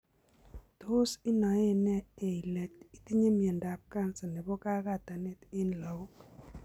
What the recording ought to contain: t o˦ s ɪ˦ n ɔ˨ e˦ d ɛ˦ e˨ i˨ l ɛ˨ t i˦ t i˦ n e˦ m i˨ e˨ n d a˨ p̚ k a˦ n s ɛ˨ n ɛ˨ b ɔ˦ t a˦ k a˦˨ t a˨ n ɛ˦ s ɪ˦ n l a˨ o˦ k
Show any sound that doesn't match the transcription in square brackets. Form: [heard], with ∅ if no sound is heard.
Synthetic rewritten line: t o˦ s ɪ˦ n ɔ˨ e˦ [n] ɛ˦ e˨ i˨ l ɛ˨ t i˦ t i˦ [ɲ] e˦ m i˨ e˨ n d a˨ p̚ k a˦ n s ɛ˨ n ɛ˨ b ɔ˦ [k] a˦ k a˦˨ t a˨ n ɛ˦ [t] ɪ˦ n l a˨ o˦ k